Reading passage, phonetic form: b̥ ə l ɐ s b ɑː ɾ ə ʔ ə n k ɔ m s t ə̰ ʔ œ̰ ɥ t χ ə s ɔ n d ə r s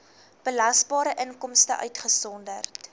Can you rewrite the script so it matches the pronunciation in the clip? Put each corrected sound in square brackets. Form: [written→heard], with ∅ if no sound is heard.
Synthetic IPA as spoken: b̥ ə l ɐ s b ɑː ɾ ə ʔ ə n k ɔ m s t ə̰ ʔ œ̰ ɥ t χ ə s ɔ n d ə r [s→t]